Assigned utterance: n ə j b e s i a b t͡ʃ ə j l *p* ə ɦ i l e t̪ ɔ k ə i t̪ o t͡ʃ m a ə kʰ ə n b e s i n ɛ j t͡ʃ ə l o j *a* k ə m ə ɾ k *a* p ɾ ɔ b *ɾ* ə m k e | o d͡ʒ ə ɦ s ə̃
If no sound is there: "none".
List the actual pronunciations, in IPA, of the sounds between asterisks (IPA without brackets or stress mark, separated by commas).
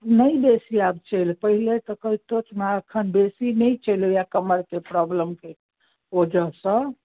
p, a, e, l